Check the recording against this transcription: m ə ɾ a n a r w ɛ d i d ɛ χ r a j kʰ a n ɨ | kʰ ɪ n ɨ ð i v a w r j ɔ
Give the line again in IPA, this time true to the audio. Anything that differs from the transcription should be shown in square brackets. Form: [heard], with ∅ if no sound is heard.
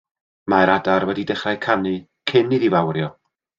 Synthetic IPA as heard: m [a] ɾ a [d] a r w ɛ d i d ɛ χ r a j kʰ a n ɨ | kʰ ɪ n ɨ ð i v a w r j ɔ